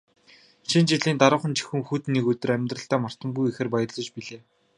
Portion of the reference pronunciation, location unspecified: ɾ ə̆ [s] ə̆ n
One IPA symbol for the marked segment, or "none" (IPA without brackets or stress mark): χ